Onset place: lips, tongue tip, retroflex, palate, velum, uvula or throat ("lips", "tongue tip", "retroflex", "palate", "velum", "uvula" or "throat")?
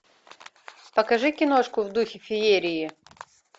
lips